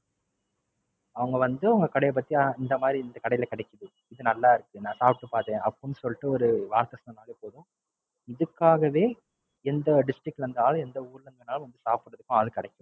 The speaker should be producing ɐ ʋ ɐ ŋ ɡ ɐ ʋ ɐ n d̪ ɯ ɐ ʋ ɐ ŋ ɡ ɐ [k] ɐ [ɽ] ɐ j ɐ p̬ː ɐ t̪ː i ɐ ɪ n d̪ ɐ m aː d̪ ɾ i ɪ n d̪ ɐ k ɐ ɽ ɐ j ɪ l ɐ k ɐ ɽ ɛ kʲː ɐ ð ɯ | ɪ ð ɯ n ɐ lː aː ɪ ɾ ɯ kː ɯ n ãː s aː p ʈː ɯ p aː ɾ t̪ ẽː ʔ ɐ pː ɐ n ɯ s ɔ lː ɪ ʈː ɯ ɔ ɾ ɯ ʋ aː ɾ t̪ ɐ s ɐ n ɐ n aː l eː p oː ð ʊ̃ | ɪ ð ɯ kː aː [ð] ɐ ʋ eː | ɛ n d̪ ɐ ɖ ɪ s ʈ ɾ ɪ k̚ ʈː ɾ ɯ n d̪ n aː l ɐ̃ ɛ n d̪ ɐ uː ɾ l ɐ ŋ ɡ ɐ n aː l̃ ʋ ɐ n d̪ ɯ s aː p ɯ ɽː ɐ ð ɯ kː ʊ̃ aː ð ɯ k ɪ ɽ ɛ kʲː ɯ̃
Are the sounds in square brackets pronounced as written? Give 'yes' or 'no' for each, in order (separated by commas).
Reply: yes, yes, no